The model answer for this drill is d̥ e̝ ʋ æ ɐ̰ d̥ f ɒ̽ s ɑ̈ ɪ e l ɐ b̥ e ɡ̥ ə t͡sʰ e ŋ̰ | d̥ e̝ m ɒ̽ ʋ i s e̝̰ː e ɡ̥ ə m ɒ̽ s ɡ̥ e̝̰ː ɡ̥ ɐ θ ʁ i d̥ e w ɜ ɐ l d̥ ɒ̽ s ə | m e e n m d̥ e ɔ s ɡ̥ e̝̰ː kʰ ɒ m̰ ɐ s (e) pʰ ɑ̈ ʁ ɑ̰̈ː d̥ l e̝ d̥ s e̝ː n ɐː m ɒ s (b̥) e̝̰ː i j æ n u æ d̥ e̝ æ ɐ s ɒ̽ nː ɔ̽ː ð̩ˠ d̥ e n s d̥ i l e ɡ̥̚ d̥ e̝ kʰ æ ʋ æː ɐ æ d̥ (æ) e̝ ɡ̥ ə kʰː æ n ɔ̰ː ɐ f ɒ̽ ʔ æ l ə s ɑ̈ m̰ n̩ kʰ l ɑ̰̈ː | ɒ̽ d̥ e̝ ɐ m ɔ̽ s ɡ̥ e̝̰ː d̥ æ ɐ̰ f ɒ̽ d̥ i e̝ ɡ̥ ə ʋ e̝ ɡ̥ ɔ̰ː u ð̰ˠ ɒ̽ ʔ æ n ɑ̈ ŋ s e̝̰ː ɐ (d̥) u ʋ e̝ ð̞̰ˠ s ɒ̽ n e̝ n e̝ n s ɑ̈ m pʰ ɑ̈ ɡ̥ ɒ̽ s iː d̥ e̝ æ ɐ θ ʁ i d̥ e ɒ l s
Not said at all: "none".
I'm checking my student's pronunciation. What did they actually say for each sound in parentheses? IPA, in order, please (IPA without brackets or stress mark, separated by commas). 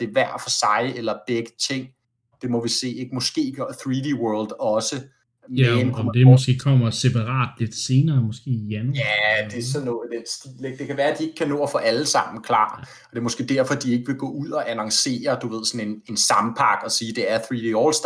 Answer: e, ɡ̥, i, d̥